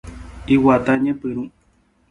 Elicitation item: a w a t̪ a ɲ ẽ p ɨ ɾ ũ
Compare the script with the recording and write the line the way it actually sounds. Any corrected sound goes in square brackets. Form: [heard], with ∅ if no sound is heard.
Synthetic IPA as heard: [i] w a t̪ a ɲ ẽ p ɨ ɾ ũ